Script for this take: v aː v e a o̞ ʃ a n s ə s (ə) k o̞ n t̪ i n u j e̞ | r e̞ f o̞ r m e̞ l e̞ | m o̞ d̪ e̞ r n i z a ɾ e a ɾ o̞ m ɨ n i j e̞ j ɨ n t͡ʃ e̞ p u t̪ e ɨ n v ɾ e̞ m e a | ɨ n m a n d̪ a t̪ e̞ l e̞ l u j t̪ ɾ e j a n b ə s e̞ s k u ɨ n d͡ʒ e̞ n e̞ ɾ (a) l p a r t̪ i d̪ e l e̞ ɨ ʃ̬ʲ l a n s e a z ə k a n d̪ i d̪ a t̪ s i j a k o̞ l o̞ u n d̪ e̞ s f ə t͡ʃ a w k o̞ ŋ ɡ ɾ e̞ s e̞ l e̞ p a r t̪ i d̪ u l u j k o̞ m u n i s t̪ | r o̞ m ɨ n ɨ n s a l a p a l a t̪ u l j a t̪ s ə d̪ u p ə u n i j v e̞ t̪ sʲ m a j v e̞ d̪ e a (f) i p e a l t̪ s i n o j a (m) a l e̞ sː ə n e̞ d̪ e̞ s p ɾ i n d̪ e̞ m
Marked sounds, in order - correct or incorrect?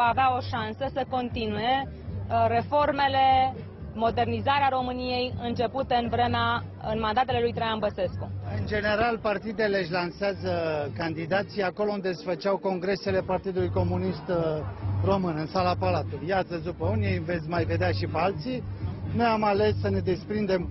correct, correct, incorrect: ʃ, correct

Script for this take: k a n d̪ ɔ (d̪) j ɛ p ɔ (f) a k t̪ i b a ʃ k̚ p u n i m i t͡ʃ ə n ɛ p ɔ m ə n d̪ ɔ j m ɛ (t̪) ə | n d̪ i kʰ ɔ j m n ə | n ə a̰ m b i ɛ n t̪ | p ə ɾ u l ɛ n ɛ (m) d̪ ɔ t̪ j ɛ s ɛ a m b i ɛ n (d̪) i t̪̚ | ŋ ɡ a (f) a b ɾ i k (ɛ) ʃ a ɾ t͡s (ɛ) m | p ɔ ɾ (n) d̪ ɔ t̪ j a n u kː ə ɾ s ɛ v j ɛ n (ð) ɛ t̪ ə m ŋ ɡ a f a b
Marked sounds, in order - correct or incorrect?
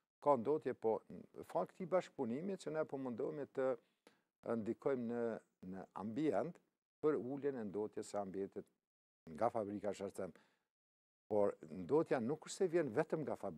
incorrect: t̪, correct, correct, incorrect: n, incorrect: t̪, correct, incorrect: a, correct, correct, incorrect: v

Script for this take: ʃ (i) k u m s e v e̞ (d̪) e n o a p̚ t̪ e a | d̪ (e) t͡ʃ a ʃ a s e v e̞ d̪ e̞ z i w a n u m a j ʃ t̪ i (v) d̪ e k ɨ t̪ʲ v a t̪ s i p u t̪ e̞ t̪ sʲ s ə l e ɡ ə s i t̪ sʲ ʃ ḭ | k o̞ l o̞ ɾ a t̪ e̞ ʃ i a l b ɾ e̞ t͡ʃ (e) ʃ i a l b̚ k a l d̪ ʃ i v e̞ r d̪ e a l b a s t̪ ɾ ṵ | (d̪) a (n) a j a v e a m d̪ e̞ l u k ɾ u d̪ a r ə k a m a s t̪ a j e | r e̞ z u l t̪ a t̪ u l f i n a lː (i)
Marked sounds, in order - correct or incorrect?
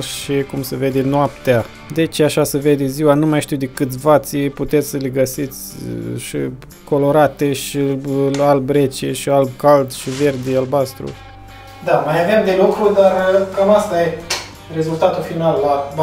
correct, correct, correct, incorrect: w, correct, correct, incorrect: m, incorrect: a

